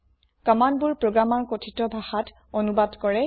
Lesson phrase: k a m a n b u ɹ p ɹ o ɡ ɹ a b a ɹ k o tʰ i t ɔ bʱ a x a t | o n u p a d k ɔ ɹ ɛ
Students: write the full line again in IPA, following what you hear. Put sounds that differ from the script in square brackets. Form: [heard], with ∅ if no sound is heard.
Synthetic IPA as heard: k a m a n b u ɹ p ɹ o ɡ ɹ a [m] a ɹ k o tʰ i t ɔ bʱ a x a t | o n u [b] a d k ɔ ɹ ɛ